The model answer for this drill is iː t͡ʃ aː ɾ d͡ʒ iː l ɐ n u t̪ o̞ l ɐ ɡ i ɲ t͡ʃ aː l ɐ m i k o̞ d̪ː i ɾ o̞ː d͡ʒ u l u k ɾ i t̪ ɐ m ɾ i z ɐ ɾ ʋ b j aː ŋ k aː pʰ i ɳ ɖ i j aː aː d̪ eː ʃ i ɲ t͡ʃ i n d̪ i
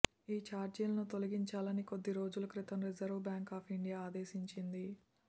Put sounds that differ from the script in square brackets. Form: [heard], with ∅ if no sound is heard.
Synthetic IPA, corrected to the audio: iː t͡ʃ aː ɾ d͡ʒ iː l ɐ n u t̪ o̞ l ɐ ɡ i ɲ t͡ʃ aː l ɐ [n] i k o̞ d̪ː i ɾ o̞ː d͡ʒ u l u k ɾ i t̪ ɐ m ɾ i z ɐ ɾ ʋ b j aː ŋ k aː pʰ i ɳ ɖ i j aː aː d̪ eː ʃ i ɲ t͡ʃ i n d̪ i

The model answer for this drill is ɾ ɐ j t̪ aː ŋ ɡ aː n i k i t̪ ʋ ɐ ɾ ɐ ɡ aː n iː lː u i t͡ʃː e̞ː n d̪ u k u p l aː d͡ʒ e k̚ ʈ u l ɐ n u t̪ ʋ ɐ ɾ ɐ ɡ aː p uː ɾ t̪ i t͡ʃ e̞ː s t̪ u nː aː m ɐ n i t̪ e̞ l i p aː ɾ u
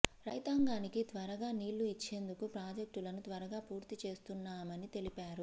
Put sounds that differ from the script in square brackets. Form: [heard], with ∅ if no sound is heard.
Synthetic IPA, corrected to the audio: ɾ ɐ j t̪ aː ŋ ɡ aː n i k i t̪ ʋ ɐ ɾ ɐ ɡ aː n iː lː u i t͡ʃː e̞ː n d̪ u k u p [ɾ] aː d͡ʒ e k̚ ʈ u l ɐ n u t̪ ʋ ɐ ɾ ɐ ɡ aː p uː ɾ t̪ i t͡ʃ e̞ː s t̪ u nː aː m ɐ n i t̪ e̞ l i p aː ɾ u

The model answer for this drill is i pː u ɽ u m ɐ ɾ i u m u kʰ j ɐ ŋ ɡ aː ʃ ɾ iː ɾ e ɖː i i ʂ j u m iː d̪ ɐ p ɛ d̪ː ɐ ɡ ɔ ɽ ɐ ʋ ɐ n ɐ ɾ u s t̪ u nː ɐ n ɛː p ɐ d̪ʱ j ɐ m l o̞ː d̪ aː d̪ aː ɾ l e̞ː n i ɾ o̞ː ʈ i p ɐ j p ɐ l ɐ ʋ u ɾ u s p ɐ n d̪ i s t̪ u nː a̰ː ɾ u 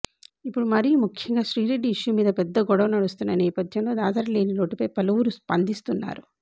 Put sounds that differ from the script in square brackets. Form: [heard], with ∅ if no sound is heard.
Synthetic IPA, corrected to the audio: i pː u ɽ u m ɐ ɾ i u m u kʰ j ɐ ŋ ɡ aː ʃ ɾ iː ɾ e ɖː i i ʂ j u m iː d̪ ɐ p ɛ d̪ː ɐ ɡ ɔ ɽ ɐ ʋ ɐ n ɐ [ɽ] u s t̪ u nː ɐ n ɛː p ɐ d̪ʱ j ɐ m l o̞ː d̪ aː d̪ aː ɾ l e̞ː n i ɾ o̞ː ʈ i p ɐ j p ɐ l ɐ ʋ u ɾ u s p ɐ n d̪ i s t̪ u nː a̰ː ɾ u

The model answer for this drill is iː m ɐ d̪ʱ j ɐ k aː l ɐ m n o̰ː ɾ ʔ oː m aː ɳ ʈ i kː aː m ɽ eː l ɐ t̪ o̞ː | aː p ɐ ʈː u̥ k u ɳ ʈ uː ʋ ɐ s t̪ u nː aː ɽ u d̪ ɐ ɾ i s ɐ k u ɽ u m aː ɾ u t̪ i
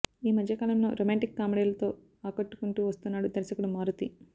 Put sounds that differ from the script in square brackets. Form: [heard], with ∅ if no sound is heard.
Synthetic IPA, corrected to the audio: iː m ɐ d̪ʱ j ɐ k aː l ɐ m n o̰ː ɾ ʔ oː m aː ɳ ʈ i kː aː m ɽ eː l ɐ t̪ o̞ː | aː [k] ɐ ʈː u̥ k u ɳ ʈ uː ʋ ɐ s t̪ u nː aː ɽ u d̪ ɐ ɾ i s ɐ k u ɽ u m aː ɾ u t̪ i

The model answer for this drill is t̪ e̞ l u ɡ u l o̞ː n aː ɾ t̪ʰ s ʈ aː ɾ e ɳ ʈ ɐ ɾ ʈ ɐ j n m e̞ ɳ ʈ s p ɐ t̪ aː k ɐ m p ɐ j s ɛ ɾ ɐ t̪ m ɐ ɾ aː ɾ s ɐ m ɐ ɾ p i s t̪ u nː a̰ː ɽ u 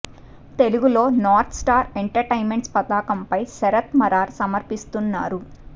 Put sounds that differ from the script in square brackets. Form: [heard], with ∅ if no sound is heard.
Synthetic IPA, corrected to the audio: t̪ e̞ l u ɡ u l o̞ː n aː ɾ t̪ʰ s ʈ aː ɾ e ɳ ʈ ɐ ɾ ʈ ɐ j n m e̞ ɳ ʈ s p ɐ t̪ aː k ɐ m p ɐ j s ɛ ɾ ɐ t̪ m ɐ ɾ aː ɾ s ɐ m ɐ ɾ p i s t̪ u nː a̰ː [ɾ] u

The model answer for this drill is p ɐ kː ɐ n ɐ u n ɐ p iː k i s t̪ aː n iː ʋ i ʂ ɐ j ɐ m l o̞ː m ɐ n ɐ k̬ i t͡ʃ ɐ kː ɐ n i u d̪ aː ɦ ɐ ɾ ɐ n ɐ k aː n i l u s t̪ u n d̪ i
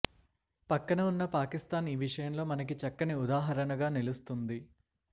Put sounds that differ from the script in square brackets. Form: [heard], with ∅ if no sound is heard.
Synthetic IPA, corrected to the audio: p ɐ kː ɐ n ɐ u [nː] ɐ p [aː] k i s t̪ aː n iː ʋ i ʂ ɐ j ɐ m l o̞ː m ɐ n ɐ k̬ i t͡ʃ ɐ kː ɐ n i u d̪ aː ɦ ɐ ɾ ɐ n ɐ [ɡ] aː n i l u s t̪ u n d̪ i

